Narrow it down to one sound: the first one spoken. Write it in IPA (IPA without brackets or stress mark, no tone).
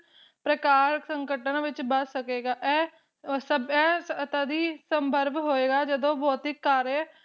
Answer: p